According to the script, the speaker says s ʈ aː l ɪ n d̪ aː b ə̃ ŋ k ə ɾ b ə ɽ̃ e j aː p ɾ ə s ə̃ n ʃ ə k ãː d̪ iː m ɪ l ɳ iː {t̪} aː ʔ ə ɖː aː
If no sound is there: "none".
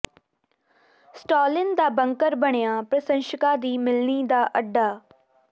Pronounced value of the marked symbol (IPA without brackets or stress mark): d̪